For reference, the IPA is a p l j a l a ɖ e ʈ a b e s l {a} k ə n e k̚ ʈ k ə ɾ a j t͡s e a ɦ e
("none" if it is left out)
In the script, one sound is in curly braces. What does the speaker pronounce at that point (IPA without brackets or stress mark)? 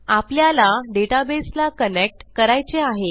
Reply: a